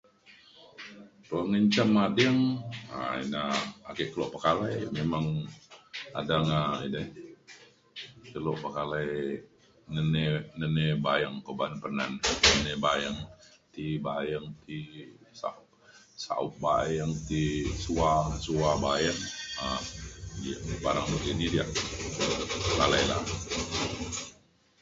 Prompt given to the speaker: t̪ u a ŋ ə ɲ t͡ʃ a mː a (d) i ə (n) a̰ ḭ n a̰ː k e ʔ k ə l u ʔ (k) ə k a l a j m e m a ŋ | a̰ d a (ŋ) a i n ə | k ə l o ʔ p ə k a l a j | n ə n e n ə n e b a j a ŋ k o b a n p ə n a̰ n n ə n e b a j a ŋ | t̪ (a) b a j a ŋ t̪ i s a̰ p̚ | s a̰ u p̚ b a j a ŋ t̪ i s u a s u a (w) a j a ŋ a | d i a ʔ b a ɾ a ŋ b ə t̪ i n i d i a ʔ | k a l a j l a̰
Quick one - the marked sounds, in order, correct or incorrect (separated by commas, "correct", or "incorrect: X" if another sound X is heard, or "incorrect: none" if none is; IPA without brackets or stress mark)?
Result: correct, incorrect: ŋ, incorrect: p, correct, incorrect: i, incorrect: b